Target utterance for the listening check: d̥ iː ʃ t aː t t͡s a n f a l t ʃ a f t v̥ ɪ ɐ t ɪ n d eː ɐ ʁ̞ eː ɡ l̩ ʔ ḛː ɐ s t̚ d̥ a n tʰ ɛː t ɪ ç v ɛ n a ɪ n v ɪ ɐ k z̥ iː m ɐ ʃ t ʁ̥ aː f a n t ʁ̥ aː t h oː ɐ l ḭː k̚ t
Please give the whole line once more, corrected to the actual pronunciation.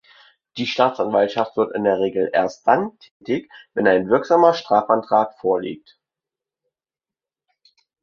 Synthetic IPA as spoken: d̥ iː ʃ t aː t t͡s a n v a l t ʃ a f t v̥ ɪ ɐ t ɪ n d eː ɐ ʁ̞ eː ɡ l̩ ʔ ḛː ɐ s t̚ d̥ a n tʰ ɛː t ɪ ç v ɛ n a ɪ n v ɪ ɐ k z̥ aː m ɐ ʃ t ʁ̥ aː f a n t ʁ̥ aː t f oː ɐ l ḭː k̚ t